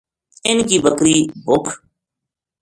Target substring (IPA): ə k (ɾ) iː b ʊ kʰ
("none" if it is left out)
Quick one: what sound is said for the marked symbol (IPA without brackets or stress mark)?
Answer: ɾ